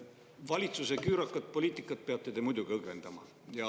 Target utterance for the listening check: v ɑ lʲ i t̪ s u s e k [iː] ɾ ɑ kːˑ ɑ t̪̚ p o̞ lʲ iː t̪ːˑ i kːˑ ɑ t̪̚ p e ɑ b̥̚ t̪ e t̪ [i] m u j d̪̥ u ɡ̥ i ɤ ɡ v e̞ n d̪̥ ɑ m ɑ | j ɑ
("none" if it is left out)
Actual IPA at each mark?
yː, e

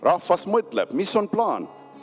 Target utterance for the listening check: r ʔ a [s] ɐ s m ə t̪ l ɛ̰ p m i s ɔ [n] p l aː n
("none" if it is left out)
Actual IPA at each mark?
f, n

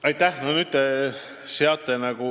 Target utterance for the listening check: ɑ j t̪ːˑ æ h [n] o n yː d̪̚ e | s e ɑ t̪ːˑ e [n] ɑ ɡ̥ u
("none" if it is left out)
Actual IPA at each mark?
n, n

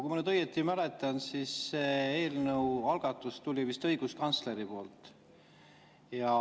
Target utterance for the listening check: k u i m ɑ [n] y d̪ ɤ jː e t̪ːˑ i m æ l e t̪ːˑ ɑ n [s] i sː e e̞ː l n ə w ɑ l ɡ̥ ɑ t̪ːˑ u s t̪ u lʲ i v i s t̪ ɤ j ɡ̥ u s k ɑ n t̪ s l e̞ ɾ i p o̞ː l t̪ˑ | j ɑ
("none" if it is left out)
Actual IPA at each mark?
n, s

